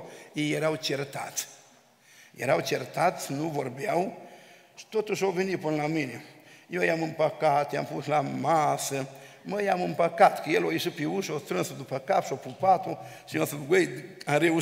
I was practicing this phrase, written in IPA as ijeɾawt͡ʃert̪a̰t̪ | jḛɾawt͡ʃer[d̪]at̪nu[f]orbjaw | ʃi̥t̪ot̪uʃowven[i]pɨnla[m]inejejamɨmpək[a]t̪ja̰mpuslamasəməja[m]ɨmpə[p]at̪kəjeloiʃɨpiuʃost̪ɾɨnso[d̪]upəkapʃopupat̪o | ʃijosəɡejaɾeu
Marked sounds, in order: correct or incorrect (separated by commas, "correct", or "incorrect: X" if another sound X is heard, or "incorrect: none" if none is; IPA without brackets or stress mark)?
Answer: incorrect: t̪, incorrect: v, correct, correct, correct, correct, incorrect: k, correct